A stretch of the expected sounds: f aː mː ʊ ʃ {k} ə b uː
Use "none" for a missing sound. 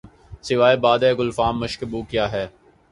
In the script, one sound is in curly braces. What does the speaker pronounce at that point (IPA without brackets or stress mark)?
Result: k